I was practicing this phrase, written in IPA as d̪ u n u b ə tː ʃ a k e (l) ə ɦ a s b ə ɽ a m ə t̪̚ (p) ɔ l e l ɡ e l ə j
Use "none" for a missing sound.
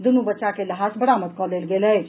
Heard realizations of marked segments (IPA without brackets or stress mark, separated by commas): l, k